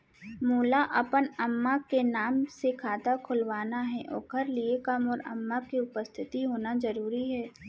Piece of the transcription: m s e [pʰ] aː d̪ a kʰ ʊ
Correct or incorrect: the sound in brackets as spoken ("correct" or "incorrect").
incorrect